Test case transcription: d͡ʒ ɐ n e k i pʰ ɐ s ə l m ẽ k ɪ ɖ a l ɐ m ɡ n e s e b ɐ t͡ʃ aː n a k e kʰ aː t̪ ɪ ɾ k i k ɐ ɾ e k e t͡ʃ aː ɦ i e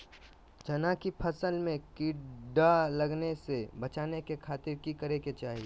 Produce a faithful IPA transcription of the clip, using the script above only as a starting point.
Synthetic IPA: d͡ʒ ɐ n a k i pʰ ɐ s ə l m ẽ k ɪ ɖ a l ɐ ɡ n e s e b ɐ t͡ʃ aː n e k e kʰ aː t̪ ɪ ɾ k i k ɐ ɾ e k e t͡ʃ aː ɦ i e